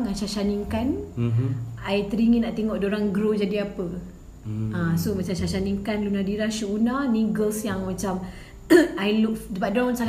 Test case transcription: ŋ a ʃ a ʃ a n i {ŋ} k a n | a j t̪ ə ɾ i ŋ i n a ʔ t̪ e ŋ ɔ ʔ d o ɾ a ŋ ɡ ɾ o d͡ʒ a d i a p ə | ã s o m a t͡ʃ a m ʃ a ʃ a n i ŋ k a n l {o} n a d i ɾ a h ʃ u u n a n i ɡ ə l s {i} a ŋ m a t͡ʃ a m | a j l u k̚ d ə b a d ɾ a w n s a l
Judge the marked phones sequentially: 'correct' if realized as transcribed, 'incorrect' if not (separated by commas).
correct, incorrect, incorrect